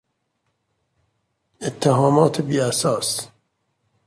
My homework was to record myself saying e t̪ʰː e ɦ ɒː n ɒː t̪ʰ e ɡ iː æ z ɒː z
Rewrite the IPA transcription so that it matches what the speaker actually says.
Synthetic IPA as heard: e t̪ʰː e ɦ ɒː m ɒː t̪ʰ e b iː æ s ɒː s